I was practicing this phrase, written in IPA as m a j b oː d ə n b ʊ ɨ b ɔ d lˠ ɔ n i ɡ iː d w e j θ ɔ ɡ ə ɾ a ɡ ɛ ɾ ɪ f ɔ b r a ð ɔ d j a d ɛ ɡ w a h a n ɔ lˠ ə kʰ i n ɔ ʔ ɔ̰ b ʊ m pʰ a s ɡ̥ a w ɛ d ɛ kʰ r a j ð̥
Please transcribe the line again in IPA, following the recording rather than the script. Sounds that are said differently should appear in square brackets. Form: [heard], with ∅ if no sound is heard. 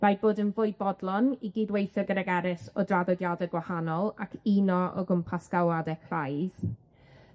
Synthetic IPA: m a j b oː d ə n [v] ʊ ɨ b ɔ d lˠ ɔ n i ɡ iː d w e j θ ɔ ɡ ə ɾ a ɡ ɛ ɾ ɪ [s] ɔ [d] r a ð ɔ d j a d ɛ ɡ w a h a n ɔ lˠ [a] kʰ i n ɔ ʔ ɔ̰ [ɡ] ʊ m pʰ a s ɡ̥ a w [a] d ɛ kʰ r a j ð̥